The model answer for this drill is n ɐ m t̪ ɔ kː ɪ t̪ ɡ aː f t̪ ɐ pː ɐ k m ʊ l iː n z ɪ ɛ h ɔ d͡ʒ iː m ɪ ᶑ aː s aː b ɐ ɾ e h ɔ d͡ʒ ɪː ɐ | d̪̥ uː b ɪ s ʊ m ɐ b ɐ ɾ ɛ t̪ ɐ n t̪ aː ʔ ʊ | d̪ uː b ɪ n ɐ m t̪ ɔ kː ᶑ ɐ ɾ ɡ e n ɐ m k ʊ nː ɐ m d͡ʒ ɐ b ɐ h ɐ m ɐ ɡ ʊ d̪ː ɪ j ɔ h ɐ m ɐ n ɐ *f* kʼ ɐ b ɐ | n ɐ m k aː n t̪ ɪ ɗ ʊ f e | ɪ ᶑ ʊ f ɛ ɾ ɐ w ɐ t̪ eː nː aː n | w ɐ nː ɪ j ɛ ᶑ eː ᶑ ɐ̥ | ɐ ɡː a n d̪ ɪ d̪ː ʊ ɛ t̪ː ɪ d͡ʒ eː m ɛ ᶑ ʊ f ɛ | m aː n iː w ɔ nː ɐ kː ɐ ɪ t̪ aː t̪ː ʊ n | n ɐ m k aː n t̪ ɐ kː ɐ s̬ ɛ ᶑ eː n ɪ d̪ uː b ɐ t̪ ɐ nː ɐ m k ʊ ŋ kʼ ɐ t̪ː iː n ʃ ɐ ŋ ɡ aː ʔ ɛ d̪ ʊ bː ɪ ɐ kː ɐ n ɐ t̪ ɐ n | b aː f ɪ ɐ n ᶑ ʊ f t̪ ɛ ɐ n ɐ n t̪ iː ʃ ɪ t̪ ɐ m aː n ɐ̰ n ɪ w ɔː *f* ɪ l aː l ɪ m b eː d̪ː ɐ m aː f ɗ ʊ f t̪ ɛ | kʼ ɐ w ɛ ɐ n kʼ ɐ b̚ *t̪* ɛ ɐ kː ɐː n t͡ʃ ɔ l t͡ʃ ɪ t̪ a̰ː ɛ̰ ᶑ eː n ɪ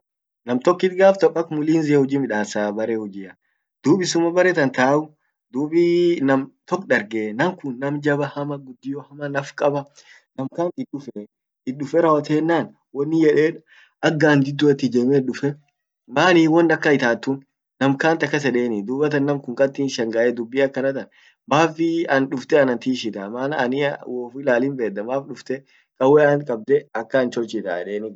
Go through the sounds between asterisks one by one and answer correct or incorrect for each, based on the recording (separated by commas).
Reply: correct, correct, incorrect